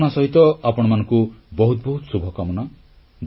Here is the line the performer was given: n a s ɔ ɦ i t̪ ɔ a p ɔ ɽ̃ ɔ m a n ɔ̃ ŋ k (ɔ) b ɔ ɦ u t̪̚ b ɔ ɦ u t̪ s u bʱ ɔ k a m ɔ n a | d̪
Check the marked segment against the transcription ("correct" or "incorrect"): incorrect